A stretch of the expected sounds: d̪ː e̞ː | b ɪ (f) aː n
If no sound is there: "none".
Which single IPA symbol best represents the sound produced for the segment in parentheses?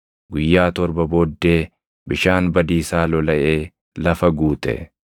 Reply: ʃ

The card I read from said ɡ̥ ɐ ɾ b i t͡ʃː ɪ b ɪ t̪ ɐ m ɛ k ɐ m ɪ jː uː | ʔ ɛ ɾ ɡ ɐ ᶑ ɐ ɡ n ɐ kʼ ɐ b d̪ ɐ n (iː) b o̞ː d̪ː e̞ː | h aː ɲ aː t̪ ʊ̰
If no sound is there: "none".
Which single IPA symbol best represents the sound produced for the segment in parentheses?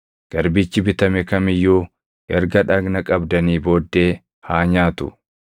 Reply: iː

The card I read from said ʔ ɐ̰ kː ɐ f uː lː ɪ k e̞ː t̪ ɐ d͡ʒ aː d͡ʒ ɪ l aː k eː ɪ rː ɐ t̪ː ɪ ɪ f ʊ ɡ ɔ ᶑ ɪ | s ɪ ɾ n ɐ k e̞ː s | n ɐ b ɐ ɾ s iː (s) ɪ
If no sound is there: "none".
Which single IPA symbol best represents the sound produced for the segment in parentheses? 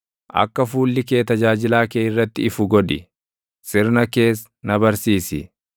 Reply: s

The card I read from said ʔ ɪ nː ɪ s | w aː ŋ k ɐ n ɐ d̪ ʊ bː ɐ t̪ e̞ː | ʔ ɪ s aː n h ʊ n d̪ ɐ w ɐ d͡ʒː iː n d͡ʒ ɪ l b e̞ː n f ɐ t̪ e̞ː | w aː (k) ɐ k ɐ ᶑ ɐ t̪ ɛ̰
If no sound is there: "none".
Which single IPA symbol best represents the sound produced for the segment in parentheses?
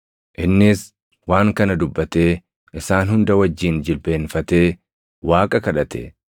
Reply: kʼ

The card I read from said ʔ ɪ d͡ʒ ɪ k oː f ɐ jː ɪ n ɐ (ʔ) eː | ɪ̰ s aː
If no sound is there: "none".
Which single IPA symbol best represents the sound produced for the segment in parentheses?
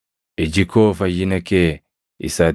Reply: k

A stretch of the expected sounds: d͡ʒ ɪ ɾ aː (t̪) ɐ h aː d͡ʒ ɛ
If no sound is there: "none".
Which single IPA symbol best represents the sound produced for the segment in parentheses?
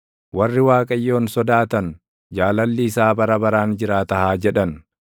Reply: t̪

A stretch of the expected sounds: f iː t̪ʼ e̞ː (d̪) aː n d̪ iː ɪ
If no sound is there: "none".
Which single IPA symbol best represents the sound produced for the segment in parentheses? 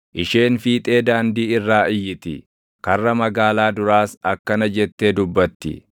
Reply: d̪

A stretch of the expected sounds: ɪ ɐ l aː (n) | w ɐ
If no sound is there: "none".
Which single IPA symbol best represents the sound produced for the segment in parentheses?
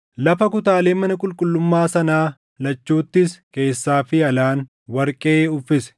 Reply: n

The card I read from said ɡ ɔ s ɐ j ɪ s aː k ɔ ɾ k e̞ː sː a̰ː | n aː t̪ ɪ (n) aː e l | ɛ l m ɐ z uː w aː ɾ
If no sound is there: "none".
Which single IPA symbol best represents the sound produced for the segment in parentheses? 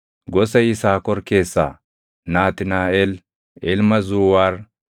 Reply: n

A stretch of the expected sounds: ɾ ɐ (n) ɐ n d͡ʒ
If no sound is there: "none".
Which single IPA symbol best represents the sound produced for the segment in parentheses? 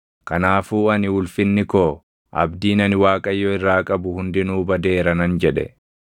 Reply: n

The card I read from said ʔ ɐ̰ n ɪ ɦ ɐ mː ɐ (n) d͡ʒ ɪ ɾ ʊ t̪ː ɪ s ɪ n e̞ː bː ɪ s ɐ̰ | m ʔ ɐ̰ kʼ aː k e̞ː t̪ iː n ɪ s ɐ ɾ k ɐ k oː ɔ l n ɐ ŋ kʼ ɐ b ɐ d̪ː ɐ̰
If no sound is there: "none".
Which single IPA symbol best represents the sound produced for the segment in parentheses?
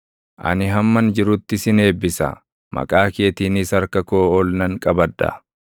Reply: n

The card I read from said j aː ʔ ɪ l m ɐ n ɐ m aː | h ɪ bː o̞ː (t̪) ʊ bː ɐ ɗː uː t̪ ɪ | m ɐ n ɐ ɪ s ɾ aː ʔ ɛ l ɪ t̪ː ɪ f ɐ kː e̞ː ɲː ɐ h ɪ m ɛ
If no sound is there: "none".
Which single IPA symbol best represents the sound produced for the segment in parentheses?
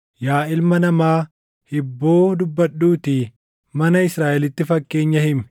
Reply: d̪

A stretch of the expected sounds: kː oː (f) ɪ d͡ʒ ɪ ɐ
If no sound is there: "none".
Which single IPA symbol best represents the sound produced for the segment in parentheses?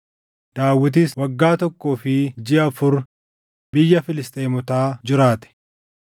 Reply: f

